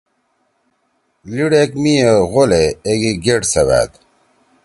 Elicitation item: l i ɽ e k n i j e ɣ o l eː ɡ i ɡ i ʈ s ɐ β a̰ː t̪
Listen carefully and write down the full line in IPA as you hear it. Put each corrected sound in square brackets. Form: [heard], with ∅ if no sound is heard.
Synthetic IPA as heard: l i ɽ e k [m] i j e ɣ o l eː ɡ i ɡ [e] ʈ s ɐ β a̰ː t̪